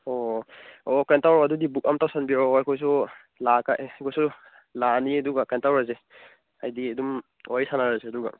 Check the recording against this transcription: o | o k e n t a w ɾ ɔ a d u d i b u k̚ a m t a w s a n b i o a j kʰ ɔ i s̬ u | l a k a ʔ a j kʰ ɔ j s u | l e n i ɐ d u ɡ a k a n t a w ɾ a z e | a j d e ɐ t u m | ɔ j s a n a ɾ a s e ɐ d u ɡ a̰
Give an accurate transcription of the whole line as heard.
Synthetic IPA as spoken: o | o k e n t a w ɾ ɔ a d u d i b u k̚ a m t a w s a n b i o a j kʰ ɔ j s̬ u | l a k a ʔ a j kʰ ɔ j s u | l a n i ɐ d u ɡ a k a n t a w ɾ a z e | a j d i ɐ d u m | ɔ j s a n a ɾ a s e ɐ d u ɡ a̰